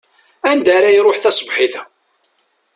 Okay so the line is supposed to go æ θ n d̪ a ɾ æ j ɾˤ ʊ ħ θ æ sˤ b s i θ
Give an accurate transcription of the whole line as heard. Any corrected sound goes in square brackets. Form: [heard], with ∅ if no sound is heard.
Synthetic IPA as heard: æ [∅] n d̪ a ɾ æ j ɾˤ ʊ ħ θ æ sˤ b [ħ] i θ